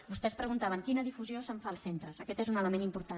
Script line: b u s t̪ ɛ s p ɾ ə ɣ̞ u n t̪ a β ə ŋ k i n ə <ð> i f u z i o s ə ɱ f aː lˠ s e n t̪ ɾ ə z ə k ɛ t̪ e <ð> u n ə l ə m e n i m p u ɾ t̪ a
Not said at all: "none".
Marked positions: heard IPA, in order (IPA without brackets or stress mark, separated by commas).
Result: ð, z